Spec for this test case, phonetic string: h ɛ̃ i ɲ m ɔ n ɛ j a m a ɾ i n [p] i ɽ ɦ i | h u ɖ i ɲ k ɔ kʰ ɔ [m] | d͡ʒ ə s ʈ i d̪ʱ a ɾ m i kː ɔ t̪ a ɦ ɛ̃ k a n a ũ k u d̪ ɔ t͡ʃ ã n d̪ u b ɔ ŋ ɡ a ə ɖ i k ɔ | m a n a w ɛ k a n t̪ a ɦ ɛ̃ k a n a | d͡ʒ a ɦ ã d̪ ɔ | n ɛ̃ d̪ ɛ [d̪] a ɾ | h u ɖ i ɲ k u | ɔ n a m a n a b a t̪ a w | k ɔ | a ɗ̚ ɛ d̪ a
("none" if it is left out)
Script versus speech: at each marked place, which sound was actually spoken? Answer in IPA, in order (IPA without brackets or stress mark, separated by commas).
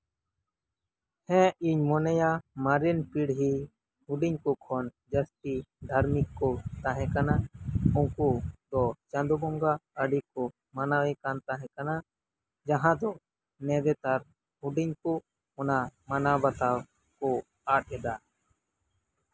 p, n, t̪